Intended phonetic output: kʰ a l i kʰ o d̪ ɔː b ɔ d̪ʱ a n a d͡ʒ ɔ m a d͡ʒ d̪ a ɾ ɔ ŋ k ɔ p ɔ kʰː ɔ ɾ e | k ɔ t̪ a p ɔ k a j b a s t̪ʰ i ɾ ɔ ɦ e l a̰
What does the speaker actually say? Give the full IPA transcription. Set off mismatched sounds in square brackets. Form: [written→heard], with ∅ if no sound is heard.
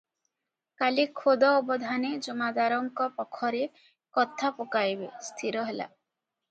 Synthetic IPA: [kʰ→k] a l i kʰ o d̪ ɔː b ɔ d̪ʱ a n [a→e] d͡ʒ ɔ m a [d͡ʒ→∅] d̪ a ɾ ɔ ŋ k ɔ p ɔ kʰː ɔ ɾ e | k ɔ [t̪→t̪ʰ] a p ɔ k a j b [a→e] s t̪ʰ i ɾ ɔ ɦ e l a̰